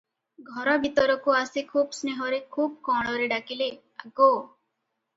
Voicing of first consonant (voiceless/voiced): voiced